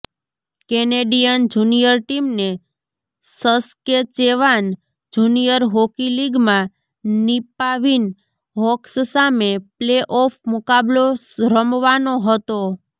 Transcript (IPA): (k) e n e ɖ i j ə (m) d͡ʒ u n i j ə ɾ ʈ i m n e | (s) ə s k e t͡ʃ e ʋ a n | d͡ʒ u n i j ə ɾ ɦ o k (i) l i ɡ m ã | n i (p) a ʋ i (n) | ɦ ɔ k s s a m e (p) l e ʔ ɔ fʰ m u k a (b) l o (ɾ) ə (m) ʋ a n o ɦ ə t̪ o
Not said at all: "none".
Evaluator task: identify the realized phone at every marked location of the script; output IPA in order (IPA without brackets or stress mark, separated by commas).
k, n, s, i, p, n, p, b, ɾ, m